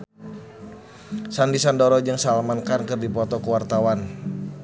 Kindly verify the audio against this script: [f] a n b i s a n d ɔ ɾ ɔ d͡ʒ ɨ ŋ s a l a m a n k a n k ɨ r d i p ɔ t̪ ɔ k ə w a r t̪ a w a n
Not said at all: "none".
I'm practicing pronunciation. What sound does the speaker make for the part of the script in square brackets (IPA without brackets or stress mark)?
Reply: s